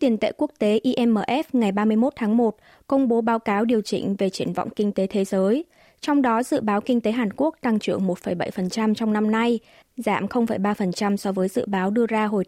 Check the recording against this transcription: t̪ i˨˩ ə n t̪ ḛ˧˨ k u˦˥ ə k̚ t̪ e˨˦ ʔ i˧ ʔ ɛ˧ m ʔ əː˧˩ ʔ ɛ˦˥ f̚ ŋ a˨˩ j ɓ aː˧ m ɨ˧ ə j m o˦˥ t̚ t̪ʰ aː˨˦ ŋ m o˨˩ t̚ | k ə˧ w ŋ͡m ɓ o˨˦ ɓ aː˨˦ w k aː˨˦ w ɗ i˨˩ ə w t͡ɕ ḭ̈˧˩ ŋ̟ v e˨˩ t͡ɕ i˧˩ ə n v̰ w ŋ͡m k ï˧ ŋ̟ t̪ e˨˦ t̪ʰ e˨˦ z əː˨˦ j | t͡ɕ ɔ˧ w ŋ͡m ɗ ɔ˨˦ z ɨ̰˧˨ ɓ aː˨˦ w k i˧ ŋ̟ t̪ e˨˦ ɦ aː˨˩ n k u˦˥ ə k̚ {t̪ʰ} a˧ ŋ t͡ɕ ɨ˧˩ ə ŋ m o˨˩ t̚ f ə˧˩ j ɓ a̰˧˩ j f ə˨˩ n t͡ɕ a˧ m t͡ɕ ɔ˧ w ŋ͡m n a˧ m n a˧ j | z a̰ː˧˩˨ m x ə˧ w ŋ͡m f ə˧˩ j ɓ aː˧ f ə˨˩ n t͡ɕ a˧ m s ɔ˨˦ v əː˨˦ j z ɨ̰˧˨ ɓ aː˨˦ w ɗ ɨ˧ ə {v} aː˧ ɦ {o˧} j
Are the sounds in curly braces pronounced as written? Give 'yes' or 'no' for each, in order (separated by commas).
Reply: no, no, no